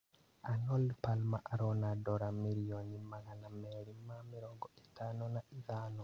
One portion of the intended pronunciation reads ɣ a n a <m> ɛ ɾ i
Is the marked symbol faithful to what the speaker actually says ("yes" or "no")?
yes